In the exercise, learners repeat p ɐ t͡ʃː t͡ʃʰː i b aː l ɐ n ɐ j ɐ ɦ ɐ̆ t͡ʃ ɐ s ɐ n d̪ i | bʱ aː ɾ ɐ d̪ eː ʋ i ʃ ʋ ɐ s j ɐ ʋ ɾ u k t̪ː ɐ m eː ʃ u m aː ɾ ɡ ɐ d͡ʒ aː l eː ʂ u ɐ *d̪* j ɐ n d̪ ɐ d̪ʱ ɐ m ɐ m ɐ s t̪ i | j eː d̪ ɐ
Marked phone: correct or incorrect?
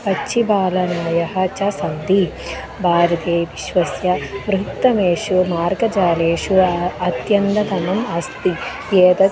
incorrect: t̪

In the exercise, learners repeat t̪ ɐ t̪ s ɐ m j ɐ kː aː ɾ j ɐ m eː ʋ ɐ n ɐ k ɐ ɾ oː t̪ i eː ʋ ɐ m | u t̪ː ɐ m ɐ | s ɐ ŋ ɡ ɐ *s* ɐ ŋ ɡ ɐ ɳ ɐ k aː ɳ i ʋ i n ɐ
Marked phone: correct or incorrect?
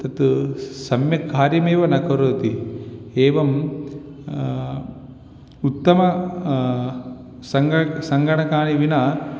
correct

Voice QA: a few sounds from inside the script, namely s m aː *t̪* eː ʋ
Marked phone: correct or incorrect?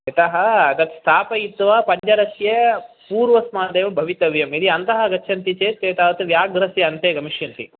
incorrect: d̪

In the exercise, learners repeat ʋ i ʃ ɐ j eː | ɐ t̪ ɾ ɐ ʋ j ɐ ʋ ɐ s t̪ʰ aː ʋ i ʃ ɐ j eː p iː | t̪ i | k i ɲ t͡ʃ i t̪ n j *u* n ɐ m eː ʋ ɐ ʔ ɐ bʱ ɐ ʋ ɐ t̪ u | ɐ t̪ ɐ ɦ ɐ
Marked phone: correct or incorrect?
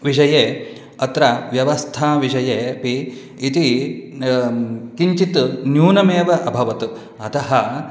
incorrect: uː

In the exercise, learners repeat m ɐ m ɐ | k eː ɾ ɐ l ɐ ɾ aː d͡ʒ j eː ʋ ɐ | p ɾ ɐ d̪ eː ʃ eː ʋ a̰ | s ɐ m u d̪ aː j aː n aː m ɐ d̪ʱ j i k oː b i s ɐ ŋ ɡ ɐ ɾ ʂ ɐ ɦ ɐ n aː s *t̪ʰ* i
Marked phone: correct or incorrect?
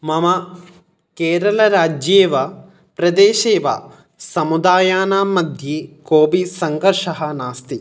incorrect: t̪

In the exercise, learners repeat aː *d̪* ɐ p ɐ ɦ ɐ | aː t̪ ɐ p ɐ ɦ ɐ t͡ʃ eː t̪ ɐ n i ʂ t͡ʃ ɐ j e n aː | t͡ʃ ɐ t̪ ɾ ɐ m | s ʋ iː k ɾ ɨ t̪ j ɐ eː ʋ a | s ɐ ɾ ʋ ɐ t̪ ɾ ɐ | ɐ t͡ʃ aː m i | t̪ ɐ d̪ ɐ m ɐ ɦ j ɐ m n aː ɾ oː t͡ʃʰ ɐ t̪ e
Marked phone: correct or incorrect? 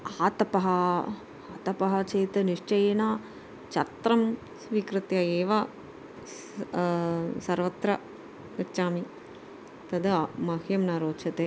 incorrect: t̪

